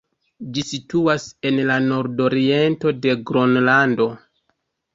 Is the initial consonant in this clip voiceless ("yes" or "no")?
no